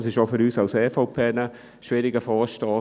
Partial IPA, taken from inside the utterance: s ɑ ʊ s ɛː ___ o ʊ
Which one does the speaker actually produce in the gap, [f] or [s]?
f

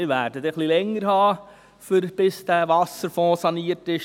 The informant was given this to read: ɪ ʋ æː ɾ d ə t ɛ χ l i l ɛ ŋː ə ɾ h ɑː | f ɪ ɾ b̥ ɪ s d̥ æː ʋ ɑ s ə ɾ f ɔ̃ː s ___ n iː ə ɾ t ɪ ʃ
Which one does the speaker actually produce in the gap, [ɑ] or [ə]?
ɑ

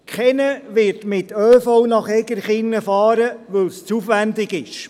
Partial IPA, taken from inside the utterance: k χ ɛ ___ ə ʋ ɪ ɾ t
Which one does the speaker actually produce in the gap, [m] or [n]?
n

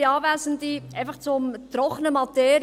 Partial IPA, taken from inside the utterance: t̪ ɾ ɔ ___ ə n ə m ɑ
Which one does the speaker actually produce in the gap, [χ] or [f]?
χ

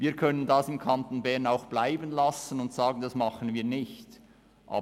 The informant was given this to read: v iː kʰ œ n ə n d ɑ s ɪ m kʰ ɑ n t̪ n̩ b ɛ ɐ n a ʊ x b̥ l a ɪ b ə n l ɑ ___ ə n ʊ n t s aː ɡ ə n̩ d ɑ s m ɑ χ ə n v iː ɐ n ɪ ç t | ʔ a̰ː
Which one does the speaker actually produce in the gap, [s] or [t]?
s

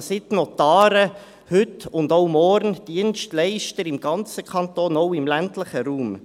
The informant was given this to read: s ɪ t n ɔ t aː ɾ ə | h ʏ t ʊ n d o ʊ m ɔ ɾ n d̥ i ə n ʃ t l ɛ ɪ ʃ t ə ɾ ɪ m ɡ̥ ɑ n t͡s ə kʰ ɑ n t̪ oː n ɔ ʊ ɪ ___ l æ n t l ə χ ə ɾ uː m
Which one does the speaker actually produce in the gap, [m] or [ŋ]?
m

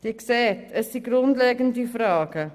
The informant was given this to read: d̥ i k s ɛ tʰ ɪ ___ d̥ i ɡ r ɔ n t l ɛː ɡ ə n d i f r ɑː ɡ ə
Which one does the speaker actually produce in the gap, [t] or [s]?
s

